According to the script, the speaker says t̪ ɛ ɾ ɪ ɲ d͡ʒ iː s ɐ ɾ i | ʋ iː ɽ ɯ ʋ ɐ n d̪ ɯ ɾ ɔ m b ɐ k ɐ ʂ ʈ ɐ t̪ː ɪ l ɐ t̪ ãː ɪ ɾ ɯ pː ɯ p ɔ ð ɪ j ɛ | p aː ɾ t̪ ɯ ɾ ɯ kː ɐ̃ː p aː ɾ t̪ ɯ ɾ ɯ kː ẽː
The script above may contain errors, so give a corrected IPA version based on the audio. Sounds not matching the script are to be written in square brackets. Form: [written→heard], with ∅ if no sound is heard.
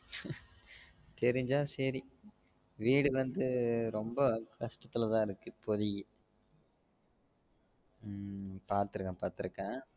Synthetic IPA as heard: t̪ ɛ ɾ ɪ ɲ d͡ʒ [iː→aː] s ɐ ɾ i | ʋ iː ɽ ɯ ʋ ɐ n d̪ ɯ ɾ ɔ m b ɐ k ɐ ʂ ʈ ɐ t̪ː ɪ l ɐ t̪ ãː ɪ ɾ ɯ [pː→kː] ɯ p ɔ ð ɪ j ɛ | p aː ɾ t̪ ɯ ɾ ɯ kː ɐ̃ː p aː ɾ t̪ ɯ ɾ ɯ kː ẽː